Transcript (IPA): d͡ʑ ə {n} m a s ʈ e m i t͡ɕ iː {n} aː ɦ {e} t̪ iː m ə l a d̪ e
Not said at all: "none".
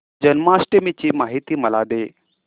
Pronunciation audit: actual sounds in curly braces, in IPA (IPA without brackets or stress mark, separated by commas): n, m, i